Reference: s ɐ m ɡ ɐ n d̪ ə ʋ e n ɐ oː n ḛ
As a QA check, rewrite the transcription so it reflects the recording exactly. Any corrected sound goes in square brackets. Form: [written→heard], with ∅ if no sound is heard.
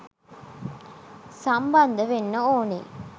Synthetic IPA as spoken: s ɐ m [ɡ→b] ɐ n d̪ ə ʋ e [n→nː] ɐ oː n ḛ